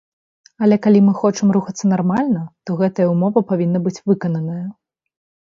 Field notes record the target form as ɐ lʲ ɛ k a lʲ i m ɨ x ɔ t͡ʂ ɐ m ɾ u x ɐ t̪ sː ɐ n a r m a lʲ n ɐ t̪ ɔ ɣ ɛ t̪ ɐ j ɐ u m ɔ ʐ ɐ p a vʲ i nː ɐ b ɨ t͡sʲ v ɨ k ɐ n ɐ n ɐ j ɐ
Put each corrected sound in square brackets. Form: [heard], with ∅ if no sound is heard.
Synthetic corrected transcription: ɐ lʲ ɛ k a lʲ i m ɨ x ɔ t͡ʂ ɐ m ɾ u x ɐ t̪ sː ɐ n a r m a lʲ n ɐ t̪ ɔ ɣ ɛ t̪ ɐ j ɐ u m ɔ [v] ɐ p a vʲ i nː ɐ b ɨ t͡sʲ v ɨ k ɐ n ɐ n ɐ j ɐ